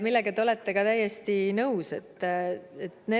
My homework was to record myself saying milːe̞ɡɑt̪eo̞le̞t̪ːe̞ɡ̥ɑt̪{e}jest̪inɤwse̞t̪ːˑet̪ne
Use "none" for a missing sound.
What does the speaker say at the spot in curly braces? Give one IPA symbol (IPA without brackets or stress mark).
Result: æ